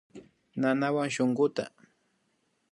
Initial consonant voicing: voiced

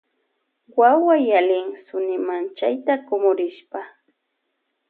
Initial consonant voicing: voiced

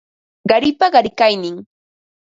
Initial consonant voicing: voiced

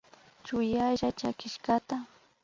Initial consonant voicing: voiceless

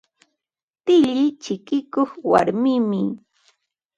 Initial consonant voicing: voiceless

